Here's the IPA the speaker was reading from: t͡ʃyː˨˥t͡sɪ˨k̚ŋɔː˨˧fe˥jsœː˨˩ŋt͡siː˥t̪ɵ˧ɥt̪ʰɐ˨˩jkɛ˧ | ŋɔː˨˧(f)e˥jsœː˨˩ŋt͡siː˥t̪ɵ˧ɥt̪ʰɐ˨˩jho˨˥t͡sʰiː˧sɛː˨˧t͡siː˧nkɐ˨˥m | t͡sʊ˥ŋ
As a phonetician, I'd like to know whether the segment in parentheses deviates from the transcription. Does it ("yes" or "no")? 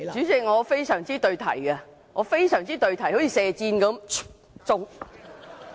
no